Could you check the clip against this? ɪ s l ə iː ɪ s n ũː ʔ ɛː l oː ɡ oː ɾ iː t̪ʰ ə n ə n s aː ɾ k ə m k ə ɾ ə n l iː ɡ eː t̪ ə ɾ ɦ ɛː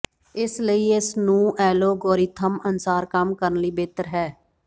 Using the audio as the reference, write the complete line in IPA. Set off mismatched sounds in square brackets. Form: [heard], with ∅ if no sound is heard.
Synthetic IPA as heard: ɪ s l ə iː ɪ s n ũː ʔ ɛː l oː ɡ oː ɾ iː t̪ʰ ə [m] ə n s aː ɾ k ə m k ə ɾ ə n l iː [b] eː t̪ ə ɾ ɦ ɛː